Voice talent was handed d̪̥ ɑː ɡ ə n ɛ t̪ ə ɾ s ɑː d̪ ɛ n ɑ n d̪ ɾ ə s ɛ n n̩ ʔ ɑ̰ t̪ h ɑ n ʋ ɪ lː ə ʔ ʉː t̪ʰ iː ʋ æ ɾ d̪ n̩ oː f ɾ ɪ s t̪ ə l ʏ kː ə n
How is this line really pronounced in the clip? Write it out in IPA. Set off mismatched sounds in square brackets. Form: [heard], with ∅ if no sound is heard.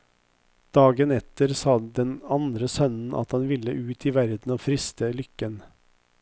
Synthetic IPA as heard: d̪̥ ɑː ɡ ə n ɛ t̪ ə ɾ s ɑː d̪ ɛ n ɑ n d̪ ɾ ə s [œ] n n̩ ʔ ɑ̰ t̪ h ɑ n ʋ ɪ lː ə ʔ ʉː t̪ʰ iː ʋ æ ɾ d̪ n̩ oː f ɾ ɪ s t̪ ə l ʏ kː ə n